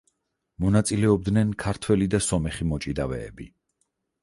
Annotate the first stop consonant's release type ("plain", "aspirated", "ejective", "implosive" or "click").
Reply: plain